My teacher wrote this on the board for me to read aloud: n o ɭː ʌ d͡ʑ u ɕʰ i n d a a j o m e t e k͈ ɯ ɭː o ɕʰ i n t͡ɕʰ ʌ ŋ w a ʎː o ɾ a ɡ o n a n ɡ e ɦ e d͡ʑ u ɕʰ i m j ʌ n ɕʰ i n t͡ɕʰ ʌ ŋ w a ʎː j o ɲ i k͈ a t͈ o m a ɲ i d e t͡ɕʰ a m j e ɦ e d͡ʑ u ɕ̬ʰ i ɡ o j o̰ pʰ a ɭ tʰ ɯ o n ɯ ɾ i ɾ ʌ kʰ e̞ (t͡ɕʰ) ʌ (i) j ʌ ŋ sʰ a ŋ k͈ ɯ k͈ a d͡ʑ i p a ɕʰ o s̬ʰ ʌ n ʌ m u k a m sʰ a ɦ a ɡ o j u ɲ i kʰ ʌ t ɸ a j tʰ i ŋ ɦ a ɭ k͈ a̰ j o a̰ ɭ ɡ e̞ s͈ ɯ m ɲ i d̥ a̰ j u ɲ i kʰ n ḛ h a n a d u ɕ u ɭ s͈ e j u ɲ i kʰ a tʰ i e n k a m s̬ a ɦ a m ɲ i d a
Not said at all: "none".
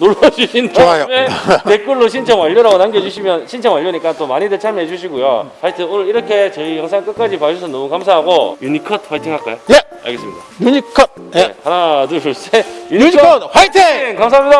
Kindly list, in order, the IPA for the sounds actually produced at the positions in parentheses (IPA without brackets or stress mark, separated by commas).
t͡ɕ, i